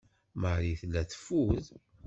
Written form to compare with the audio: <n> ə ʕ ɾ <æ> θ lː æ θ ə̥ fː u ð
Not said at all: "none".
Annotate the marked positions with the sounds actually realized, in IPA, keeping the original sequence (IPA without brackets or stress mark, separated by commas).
m, i